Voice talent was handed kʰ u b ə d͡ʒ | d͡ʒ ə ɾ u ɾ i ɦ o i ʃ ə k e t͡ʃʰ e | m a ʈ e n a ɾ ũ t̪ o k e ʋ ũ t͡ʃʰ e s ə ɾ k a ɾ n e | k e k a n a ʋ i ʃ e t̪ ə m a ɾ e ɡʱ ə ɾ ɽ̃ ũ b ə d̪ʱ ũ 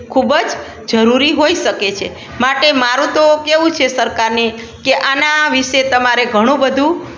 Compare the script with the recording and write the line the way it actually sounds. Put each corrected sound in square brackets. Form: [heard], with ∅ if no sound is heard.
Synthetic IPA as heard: kʰ u b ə d͡ʒ | d͡ʒ ə ɾ u ɾ i ɦ o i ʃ ə k e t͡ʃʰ e | m a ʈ e [m] a ɾ ũ t̪ o k e ʋ ũ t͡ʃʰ e s ə ɾ k a ɾ n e | k e [ʔ] a n a ʋ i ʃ e t̪ ə m a ɾ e ɡʱ ə [∅] ɽ̃ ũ b ə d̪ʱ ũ